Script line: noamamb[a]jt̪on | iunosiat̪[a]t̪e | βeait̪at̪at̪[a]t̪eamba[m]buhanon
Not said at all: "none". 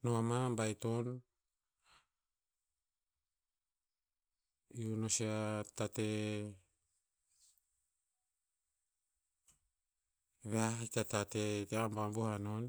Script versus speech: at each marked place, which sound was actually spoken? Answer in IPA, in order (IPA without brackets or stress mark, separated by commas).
a, a, e, m